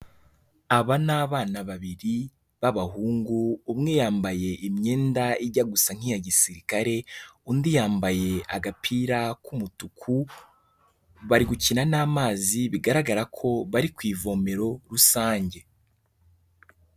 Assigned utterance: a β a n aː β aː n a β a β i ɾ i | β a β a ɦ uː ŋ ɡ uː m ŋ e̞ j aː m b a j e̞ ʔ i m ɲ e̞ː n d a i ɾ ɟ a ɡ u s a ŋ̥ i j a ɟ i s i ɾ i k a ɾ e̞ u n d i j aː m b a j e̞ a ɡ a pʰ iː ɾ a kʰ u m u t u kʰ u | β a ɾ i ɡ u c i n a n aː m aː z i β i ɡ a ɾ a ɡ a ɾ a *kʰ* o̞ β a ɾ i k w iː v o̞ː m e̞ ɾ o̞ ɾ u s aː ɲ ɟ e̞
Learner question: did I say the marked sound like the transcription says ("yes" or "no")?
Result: yes